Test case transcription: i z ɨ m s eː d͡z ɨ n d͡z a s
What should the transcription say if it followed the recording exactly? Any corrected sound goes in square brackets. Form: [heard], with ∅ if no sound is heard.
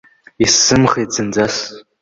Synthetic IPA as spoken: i [s] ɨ m [χ] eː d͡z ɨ n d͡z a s